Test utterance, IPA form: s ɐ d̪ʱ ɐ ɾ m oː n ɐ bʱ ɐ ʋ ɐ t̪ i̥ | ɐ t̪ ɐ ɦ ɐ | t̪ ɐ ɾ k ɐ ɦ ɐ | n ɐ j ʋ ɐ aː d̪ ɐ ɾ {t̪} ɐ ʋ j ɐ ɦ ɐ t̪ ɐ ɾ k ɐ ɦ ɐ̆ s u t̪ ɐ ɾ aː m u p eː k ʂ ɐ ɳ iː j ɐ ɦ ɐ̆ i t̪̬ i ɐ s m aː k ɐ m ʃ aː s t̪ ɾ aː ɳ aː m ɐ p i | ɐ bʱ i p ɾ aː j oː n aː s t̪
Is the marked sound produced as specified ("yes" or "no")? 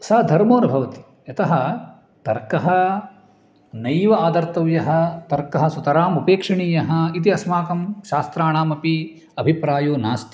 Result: yes